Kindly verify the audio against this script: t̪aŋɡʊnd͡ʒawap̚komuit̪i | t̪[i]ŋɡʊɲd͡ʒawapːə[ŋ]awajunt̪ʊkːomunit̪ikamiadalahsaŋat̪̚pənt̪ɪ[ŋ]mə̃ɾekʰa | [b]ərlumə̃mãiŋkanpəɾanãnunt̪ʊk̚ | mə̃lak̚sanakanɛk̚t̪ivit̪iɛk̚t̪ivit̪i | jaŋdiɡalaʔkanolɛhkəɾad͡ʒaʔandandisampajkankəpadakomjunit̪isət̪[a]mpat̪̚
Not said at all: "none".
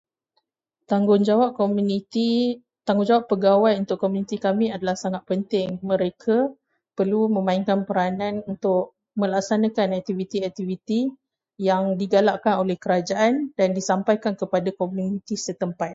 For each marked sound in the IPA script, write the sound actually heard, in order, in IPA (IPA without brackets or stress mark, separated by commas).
a, ɡ, ŋ, p, ə